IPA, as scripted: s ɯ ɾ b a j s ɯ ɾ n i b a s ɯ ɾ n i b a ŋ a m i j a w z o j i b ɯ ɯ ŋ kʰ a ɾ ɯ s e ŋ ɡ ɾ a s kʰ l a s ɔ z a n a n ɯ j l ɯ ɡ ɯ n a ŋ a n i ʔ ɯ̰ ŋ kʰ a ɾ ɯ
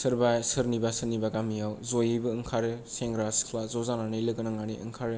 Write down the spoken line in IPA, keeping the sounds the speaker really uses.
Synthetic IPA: s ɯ ɾ b a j s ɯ ɾ n i b a s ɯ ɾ n i b a ɡ a m i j a w z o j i b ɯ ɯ ŋ kʰ a ɾ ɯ s e ŋ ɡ ɾ a s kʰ l a z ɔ z a n a n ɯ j l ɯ ɡ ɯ n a ŋ a n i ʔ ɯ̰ ŋ kʰ a ɾ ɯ

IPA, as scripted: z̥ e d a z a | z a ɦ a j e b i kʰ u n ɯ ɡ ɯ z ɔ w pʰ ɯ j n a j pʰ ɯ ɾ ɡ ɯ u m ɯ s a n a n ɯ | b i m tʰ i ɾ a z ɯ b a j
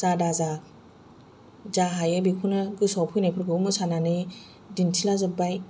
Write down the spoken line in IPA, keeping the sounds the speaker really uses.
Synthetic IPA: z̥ a d a z a | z a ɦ a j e b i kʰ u n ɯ ɡ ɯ s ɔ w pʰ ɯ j n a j pʰ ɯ ɾ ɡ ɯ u m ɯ s a n a n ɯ | d i n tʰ i l a z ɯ b a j

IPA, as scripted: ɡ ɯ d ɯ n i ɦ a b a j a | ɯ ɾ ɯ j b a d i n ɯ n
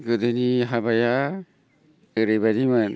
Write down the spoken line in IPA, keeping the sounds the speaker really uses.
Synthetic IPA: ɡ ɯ d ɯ n i ɦ a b a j a | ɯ ɾ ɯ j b a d i m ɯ n

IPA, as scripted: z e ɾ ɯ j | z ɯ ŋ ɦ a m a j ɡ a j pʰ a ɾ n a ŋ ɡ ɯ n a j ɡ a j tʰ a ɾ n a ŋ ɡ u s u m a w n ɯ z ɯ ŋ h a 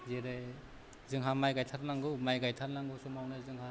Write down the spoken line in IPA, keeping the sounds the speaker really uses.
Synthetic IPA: z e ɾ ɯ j | z ɯ ŋ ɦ a m a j ɡ a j tʰ a ɾ n a ŋ ɡ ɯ m a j ɡ a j tʰ a ɾ n a ŋ ɡ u s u m a w n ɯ z ɯ ŋ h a

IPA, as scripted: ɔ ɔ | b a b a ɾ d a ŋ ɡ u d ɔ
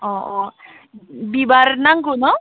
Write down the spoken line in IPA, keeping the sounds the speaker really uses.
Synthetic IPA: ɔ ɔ | b i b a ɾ n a ŋ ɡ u n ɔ

